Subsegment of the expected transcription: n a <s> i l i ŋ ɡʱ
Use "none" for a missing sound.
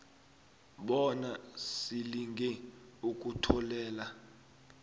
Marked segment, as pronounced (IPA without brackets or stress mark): s